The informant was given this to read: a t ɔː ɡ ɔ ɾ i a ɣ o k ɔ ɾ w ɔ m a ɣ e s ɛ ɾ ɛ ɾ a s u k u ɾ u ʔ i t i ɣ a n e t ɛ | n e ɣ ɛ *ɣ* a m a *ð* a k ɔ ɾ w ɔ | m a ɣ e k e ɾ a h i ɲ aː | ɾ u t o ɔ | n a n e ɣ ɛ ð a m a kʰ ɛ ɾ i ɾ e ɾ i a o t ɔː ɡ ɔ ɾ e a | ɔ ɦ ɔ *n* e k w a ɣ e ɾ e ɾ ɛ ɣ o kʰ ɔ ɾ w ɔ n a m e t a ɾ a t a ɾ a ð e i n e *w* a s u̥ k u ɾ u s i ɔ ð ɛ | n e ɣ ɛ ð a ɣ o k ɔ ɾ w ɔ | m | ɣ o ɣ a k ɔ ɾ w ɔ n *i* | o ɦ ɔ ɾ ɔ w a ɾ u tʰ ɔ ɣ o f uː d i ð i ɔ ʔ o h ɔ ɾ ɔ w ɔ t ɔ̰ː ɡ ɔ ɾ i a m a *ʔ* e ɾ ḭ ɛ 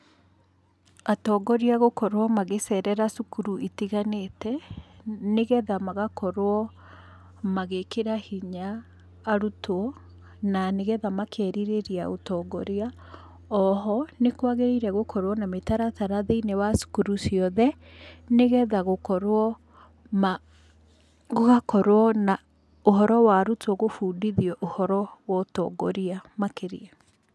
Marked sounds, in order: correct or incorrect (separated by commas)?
incorrect, incorrect, correct, correct, incorrect, incorrect